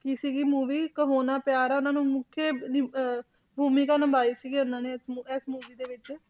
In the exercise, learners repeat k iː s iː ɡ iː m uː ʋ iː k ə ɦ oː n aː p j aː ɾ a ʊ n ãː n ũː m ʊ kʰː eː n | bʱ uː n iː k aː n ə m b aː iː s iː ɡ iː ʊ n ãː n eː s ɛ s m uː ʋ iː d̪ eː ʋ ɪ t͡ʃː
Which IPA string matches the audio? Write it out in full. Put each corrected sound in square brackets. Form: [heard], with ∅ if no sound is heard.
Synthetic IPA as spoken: k iː s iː ɡ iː m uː ʋ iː k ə ɦ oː n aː p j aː ɾ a ʊ n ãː n ũː m ʊ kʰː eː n | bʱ uː [m] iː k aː n ə m b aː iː s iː ɡ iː ʊ n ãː n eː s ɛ s m uː ʋ iː d̪ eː ʋ ɪ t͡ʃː